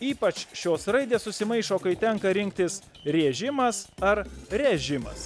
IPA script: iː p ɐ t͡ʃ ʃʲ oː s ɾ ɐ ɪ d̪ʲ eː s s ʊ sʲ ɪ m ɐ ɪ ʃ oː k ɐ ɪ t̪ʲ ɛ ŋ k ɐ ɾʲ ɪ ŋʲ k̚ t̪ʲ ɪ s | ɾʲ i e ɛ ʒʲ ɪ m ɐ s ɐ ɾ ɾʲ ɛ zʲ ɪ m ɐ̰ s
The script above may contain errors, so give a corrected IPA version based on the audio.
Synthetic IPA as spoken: iː p ɐ t͡ʃ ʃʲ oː s ɾ ɐ ɪ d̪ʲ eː s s ʊ sʲ ɪ m ɐ ɪ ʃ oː k ɐ ɪ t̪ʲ ɛ ŋ k ɐ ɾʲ ɪ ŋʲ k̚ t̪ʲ ɪ s | ɾʲ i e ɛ ʒʲ ɪ m ɐ s ɐ ɾ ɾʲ ɛ ʒʲ ɪ m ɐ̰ s